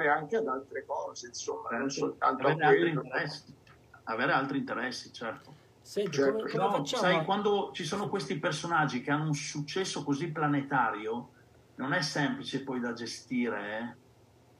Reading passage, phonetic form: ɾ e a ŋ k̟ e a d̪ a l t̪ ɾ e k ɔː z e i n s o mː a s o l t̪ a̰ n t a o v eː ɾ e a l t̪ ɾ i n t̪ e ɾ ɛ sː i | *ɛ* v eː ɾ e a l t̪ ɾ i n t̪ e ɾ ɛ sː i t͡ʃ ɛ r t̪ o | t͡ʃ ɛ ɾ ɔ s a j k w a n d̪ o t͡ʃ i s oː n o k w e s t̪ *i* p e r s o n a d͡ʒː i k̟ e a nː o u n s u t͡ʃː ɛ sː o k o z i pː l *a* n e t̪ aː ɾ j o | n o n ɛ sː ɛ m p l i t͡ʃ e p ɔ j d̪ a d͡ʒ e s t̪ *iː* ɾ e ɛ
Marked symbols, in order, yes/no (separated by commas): no, yes, yes, yes